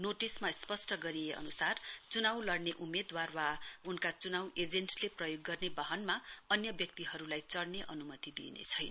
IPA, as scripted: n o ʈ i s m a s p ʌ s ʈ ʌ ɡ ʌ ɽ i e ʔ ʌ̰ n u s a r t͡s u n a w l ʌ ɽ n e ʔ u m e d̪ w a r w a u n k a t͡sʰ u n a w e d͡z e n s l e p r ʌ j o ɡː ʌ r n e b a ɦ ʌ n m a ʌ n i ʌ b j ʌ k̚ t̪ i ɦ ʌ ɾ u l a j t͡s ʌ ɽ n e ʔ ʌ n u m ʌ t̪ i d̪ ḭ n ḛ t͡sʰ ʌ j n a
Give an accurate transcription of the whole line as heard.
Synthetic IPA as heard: n o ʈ i s m a s p ʌ s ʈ ʌ ɡ ʌ ɾ i e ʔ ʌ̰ n u s a r t͡s u n a w l ʌ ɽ n e ʔ u m e d̪ w a r w a u n k a t͡s u n a w e d͡z e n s l e p r ʌ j o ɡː ʌ r n e b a ɦ ʌ n m a ʌ n j ʌ b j ʌ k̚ t̪ i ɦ ʌ ɾ u l a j t͡s ʌ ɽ n e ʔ ʌ n u m ʌ t̪ i d̪ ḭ n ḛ t͡sʰ ʌ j n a

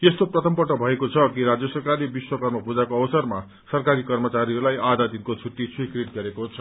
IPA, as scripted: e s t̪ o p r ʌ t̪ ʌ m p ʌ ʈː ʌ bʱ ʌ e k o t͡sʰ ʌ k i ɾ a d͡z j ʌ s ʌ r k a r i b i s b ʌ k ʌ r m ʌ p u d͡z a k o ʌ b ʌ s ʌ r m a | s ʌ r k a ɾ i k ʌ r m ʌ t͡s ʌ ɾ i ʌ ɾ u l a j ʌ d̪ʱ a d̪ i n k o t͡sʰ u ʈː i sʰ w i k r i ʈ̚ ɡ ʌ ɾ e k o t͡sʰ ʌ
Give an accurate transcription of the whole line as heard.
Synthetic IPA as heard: e s t̪ o p r ʌ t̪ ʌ m p ʌ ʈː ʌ bʱ ʌ e k o t͡sʰ ʌ k i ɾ a d͡z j ʌ s ʌ r k a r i b i s w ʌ k ʌ r m ʌ p u d͡z a k o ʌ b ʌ s ʌ r m a | s ʌ r k a ɾ i k ʌ r m ʌ t͡s a ɾ i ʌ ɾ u l a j a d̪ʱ a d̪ i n k o t͡sʰ u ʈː i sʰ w i k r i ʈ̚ ɡ ʌ ɾ e k o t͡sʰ ʌ

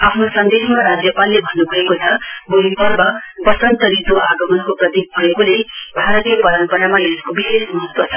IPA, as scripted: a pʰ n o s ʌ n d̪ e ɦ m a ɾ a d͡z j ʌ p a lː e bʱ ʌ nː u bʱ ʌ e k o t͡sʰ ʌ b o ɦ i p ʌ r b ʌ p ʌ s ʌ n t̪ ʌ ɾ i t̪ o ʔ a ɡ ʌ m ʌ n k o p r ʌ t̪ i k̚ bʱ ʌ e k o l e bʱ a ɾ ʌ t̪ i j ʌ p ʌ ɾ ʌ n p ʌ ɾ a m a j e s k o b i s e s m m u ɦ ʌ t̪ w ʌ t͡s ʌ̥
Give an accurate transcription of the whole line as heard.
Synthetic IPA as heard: a pʰ n o s ʌ n d̪ e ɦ m a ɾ a d͡z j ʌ p a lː e bʱ ʌ nː u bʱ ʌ e k o t͡sʰ ʌ b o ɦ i p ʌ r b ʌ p ʌ s ʌ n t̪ ʌ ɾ i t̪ o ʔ a ɡ ʌ m ʌ n k o p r ʌ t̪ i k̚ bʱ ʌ e k o l e bʱ a ɾ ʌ t̪ i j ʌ p ʌ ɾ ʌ n p ʌ ɾ a m a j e s k o b i s e s m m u ɦ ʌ t̪ w ʌ t͡sʰ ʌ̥

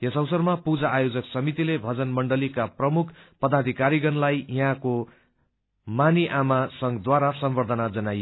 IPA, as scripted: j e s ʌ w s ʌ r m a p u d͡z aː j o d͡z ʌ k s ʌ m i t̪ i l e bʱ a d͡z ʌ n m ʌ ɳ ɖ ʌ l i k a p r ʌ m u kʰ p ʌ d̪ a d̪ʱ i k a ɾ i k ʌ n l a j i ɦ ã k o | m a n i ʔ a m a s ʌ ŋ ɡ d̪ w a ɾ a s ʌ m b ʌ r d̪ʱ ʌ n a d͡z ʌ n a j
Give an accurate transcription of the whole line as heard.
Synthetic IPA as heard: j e s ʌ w s ʌ r m a p u d͡z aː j o d͡z ʌ k s ʌ m i t̪ i l e bʱ ʌ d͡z ʌ n m ʌ ɳ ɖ ʌ l i k a p r ʌ m u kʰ p ʌ d̪ a d̪ʱ i k a ɾ i ɡ ʌ n l a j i ɦ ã k o | m a n i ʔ a m a s ʌ ŋ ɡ d̪ w a ɾ a s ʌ m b ʌ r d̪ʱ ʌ n a d͡z ʌ n a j

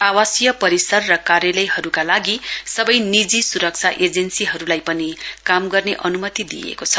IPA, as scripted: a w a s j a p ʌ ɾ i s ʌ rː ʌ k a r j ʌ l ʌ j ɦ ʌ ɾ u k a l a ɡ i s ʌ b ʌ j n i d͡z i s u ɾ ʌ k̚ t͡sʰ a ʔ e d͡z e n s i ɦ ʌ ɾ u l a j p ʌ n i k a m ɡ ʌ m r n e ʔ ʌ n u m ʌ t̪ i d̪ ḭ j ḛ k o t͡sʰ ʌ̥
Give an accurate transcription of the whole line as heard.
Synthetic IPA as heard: a w a s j ʌ p ʌ ɾ i s ʌ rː ʌ k a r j ʌ l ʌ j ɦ ʌ ɾ u k a l a ɡ i s ʌ b ʌ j n i d͡z i s u ɾ ʌ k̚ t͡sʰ a ʔ e d͡z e n s i ɦ ʌ ɾ u l a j p ʌ n i k a m ɡ ʌ r n e ʔ ʌ n u m ʌ t̪ i d̪ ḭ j ḛ k o t͡sʰ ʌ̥

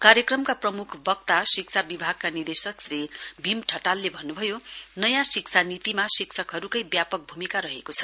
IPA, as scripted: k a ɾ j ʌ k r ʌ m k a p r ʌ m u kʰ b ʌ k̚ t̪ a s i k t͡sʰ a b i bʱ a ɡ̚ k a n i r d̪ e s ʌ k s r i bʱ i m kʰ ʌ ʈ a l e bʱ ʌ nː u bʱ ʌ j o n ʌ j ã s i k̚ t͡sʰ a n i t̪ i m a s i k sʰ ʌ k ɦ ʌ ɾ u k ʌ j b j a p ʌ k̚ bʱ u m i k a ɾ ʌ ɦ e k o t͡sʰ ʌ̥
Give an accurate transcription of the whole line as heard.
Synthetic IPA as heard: k a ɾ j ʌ k r ʌ m k a p r ʌ m u kʰ b ʌ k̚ t̪ a s i k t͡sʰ a b i bʱ a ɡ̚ k a n i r d̪ e s ʌ k s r i bʱ i m ʈʰ ʌ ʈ a lː e bʱ ʌ nː u bʱ ʌ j o n ʌ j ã s i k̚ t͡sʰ a n i t̪ i m a s i k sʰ ʌ k ɦ ʌ ɾ u k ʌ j b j a p ʌ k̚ bʱ u m i k a ɾ ʌ ɦ e k o t͡sʰ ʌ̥

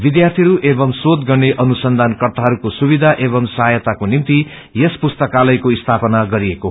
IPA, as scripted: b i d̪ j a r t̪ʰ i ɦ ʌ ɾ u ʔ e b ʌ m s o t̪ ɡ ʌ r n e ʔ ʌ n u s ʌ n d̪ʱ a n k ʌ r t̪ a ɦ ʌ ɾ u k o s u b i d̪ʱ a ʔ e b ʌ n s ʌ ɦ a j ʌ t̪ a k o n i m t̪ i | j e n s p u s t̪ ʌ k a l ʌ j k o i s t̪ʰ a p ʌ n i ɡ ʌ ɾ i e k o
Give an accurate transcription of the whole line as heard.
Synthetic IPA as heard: b i d̪ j a r t̪ʰ i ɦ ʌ ɾ u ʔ e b ʌ m s o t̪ ɡ ʌ r n e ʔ ʌ n u s ʌ n d̪ʱ a n k ʌ r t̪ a ɦ ʌ ɾ u k o s u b i d̪ʱ a ʔ e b ʌ m s ʌ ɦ a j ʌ t̪ a k o n i m t̪ i | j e s p u s t̪ ʌ k a l ʌ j k o i s t̪ʰ a p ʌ n a ɡ ʌ ɾ i e k o

